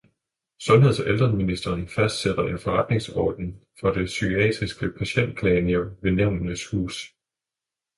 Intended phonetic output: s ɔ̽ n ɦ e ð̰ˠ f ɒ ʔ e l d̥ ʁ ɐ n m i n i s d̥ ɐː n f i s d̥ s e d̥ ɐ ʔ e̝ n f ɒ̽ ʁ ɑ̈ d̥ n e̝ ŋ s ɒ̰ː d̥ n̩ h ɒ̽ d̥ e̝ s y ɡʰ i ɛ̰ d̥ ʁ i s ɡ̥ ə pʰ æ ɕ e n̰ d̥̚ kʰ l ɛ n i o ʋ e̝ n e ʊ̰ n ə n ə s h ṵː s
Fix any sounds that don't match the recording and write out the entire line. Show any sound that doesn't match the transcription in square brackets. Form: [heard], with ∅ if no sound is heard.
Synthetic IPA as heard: s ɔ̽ n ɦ e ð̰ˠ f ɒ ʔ e l d̥ ʁ ɐ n m i n i s d̥ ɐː n f [æ] s d̥ s e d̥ ɐ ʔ e̝ n f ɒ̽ ʁ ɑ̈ d̥ n e̝ ŋ s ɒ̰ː d̥ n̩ [f] ɒ̽ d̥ e̝ s y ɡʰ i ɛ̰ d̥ ʁ i s ɡ̥ ə pʰ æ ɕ e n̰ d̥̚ kʰ l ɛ n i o ʋ e̝ n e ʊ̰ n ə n ə s h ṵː s